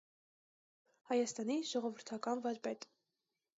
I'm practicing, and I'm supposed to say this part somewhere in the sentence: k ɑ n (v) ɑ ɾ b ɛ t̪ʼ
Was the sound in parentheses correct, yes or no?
yes